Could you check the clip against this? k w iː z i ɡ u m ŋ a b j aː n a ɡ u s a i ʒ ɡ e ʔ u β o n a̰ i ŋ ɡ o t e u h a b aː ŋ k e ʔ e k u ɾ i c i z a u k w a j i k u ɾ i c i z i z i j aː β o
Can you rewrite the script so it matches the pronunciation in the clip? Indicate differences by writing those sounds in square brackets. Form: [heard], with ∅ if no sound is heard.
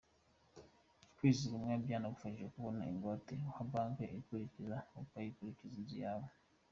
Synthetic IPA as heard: k w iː z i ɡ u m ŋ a b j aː n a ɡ u [f] a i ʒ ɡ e [k] u β o n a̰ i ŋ ɡ o t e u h a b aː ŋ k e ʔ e k u ɾ i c i z a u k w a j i k u ɾ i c i z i z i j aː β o